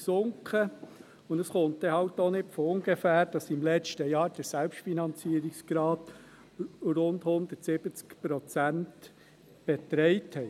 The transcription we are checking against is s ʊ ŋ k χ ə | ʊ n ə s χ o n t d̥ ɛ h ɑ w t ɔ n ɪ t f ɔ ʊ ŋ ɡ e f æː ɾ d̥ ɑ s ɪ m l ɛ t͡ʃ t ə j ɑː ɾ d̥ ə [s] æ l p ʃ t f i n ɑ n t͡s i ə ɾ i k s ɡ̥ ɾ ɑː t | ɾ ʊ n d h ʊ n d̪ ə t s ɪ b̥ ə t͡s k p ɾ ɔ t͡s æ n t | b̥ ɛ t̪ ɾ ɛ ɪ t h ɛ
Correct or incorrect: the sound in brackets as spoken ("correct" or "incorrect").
correct